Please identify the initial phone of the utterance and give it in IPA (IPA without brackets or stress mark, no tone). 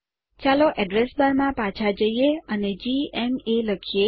t͡ʃ